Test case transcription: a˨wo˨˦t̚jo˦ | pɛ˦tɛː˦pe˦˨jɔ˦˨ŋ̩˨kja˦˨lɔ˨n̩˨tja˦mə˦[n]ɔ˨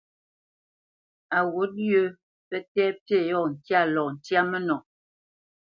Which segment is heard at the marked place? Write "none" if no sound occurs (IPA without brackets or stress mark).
n